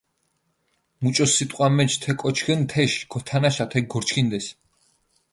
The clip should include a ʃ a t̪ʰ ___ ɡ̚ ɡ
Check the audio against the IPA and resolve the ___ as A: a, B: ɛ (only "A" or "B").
B